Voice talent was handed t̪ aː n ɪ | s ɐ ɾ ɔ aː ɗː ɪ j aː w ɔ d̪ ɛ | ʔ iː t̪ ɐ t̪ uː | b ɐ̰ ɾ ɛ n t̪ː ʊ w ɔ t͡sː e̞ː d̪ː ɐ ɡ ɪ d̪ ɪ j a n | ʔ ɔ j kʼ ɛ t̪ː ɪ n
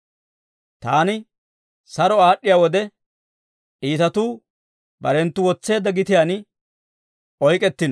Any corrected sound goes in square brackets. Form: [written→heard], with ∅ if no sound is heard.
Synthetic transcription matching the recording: t̪ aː n ɪ | s ɐ ɾ ɔ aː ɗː ɪ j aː w ɔ d̪ ɛ | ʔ iː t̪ ɐ t̪ uː | b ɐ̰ ɾ ɛ n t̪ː ʊ w ɔ t͡sː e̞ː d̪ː ɐ ɡ ɪ [d̪→t̪] ɪ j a n | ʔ ɔ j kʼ ɛ t̪ː ɪ n

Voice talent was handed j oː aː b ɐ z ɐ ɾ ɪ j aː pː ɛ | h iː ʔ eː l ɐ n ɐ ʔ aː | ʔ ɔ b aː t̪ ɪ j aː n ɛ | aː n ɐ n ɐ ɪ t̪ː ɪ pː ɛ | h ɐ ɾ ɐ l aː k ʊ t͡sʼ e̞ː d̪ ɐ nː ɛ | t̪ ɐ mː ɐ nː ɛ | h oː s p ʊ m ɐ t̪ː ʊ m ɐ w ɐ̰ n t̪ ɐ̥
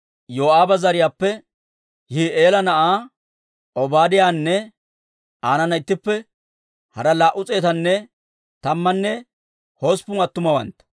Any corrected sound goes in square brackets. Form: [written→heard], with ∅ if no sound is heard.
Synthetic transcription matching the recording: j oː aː b ɐ z ɐ ɾ ɪ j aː pː ɛ | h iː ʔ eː l ɐ n ɐ ʔ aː | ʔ ɔ b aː [t̪→d̪] ɪ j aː [n→nː] ɛ | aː n ɐ n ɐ ɪ t̪ː ɪ pː ɛ | h ɐ ɾ ɐ l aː [k→ʔ] ʊ t͡sʼ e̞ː [d̪→t̪] ɐ nː ɛ | t̪ ɐ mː ɐ nː ɛ | h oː s p ʊ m ɐ t̪ː ʊ m ɐ w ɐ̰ n t̪ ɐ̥

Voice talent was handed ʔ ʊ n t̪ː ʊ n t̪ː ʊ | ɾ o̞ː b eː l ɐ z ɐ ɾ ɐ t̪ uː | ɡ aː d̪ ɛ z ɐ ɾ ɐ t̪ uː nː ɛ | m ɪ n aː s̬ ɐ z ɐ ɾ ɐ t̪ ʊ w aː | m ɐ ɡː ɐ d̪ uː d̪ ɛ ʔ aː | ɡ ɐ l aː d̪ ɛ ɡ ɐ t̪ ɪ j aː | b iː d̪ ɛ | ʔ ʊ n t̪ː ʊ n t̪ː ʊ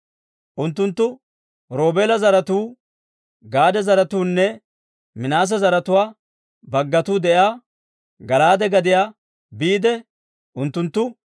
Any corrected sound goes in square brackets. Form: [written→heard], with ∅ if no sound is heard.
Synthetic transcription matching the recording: ʔ ʊ n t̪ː ʊ n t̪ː ʊ | ɾ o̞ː b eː l ɐ z ɐ ɾ ɐ t̪ uː | ɡ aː d̪ ɛ z ɐ ɾ ɐ t̪ uː nː ɛ | m ɪ n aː s̬ ɐ z ɐ ɾ ɐ t̪ ʊ w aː | [m→b] ɐ ɡː ɐ [d̪→t̪] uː d̪ ɛ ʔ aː | ɡ ɐ l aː d̪ ɛ ɡ ɐ [t̪→d̪] ɪ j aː | b iː d̪ ɛ | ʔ ʊ n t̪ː ʊ n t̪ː ʊ

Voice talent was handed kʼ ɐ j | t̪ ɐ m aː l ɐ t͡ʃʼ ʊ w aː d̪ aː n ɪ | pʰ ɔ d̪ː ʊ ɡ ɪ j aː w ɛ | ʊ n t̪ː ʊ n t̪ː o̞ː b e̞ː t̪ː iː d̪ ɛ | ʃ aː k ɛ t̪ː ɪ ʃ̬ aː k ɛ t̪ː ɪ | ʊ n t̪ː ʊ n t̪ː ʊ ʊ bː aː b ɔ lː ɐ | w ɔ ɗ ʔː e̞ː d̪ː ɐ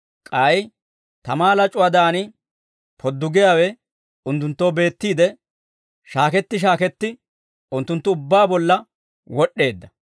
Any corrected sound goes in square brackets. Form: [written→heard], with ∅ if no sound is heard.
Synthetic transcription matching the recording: kʼ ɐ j | t̪ ɐ m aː l ɐ t͡ʃʼ ʊ w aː d̪ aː n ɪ | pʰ ɔ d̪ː ʊ ɡ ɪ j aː w ɛ | ʊ n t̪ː ʊ n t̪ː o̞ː b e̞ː t̪ː iː d̪ ɛ | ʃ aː k ɛ t̪ː ɪ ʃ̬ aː k ɛ t̪ː ɪ | ʊ n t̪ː ʊ n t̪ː ʊ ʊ bː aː b ɔ lː ɐ | w ɔ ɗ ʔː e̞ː d̪ː ɐ

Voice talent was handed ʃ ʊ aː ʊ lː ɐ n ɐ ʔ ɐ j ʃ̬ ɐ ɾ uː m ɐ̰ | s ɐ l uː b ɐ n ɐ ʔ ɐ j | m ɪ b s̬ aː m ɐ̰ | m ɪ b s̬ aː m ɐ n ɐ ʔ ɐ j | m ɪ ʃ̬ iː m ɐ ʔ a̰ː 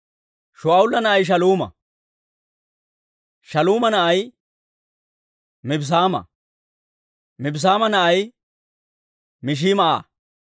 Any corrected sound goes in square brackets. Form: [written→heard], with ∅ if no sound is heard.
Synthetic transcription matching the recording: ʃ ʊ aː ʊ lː ɐ n ɐ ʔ ɐ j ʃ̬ ɐ [ɾ→l] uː m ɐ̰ | [s→ʃ] ɐ l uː [b→m] ɐ n ɐ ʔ ɐ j | m ɪ b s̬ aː m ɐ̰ | m ɪ b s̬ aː m ɐ n ɐ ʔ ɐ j | m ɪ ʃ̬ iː m ɐ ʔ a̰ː

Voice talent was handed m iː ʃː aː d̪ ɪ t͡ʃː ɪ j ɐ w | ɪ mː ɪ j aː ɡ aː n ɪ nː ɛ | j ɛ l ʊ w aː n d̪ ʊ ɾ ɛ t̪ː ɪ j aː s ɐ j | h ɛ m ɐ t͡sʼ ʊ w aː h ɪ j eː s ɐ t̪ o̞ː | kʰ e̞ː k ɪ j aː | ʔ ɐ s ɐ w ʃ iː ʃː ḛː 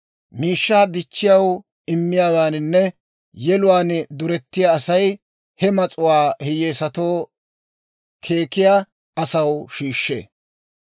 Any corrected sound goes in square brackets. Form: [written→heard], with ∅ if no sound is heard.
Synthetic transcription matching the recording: m iː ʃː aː d̪ ɪ t͡ʃː ɪ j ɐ w | ɪ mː ɪ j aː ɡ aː n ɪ nː ɛ | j ɛ l ʊ w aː n d̪ ʊ ɾ ɛ t̪ː ɪ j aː s ɐ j | h ɛ m ɐ t͡sʼ ʊ w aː h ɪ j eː s ɐ t̪ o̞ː | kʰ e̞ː k ɪ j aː | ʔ ɐ s ɐ w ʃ iː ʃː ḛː

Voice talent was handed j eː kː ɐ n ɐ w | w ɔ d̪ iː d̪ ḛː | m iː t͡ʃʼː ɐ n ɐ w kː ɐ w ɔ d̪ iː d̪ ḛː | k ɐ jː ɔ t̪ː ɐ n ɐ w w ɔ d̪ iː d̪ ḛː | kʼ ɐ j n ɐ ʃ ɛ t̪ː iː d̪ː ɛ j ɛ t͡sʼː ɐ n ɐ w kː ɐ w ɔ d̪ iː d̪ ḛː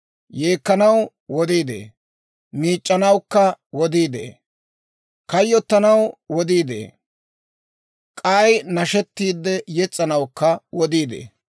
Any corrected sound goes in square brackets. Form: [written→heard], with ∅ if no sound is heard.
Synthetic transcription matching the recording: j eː kː ɐ n ɐ w | w ɔ d̪ iː d̪ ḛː | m iː t͡ʃʼː ɐ n ɐ w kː ɐ w ɔ d̪ iː d̪ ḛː | k ɐ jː ɔ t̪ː ɐ n ɐ w w ɔ d̪ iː d̪ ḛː | kʼ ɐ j n ɐ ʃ ɛ t̪ː iː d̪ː ɛ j ɛ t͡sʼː ɐ n ɐ w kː ɐ w ɔ d̪ iː d̪ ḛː

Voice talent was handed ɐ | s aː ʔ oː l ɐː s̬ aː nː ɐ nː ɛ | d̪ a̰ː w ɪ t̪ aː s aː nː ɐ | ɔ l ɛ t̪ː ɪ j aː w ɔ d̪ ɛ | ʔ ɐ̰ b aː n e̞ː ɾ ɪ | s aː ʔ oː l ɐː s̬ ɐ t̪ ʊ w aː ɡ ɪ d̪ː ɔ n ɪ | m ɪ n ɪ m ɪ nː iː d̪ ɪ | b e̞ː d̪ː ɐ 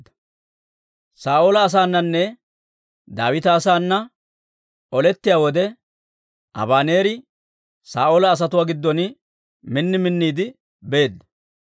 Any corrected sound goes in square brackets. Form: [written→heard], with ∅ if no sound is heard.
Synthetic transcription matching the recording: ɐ | s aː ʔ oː l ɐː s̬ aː nː ɐ nː ɛ | d̪ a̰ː w ɪ t̪ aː s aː nː ɐ | ɔ l ɛ t̪ː ɪ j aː w ɔ d̪ ɛ | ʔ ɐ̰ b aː n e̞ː ɾ ɪ | s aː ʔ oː l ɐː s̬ ɐ t̪ ʊ w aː ɡ ɪ d̪ː ɔ n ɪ | m ɪ [n→nː] ɪ m ɪ nː iː d̪ ɪ | b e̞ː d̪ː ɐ

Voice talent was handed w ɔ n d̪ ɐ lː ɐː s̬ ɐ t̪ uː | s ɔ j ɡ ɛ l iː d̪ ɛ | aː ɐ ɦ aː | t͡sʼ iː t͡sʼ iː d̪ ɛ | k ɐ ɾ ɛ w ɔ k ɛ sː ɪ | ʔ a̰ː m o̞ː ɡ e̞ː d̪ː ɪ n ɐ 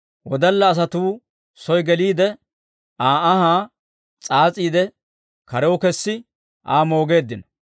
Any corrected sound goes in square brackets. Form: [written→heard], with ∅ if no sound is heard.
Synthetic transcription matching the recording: w ɔ [n→∅] d̪ ɐ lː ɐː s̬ ɐ t̪ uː | s ɔ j ɡ ɛ l iː d̪ ɛ | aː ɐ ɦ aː | t͡sʼ [iː→aː] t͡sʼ iː d̪ ɛ | k ɐ ɾ ɛ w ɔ k ɛ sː ɪ | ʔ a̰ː m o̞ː ɡ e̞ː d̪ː ɪ n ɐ

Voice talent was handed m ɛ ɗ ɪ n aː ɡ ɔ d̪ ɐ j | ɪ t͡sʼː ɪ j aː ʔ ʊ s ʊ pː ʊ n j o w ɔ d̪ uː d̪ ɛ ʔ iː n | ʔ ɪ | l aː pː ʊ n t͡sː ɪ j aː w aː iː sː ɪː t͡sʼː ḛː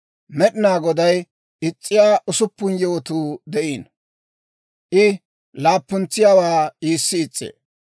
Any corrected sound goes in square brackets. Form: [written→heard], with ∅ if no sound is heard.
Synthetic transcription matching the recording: m ɛ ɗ ɪ n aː ɡ ɔ d̪ ɐ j | ɪ t͡sʼː ɪ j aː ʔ ʊ s ʊ pː ʊ n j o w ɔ [d̪→t̪] uː d̪ ɛ ʔ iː n | ʔ ɪ | l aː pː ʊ n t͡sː ɪ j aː w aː iː sː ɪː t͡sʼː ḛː

